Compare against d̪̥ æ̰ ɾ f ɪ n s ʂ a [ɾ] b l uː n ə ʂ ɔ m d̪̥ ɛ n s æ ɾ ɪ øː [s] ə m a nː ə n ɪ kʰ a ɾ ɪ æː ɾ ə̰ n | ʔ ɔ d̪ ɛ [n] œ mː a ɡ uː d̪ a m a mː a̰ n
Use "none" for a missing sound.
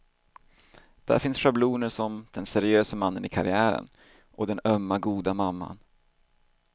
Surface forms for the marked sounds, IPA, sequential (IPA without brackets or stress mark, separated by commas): none, s, n